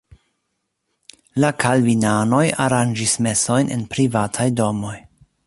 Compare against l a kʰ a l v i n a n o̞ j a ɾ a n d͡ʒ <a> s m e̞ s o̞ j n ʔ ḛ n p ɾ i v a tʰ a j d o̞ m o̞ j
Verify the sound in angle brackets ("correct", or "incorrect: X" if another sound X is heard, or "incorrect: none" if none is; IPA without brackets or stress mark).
incorrect: i